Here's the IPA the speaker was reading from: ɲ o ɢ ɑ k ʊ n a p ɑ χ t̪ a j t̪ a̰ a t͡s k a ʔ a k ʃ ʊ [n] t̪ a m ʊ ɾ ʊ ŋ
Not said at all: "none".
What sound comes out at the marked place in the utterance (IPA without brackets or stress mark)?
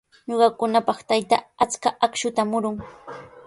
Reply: none